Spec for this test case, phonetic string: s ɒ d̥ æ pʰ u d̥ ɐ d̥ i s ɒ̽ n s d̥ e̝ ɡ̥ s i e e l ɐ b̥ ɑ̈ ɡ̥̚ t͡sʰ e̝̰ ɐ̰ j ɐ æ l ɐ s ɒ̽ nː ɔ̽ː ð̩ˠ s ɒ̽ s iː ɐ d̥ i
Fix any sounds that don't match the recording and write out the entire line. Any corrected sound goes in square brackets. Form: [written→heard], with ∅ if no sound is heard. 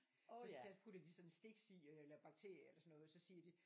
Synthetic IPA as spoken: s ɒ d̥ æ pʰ u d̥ ɐ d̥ i s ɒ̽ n s d̥ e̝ ɡ̥ s i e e l ɐ b̥ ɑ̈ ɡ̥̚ t͡sʰ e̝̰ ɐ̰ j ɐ [æ→e] l ɐ s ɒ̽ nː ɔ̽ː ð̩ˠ s ɒ̽ s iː ɐ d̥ i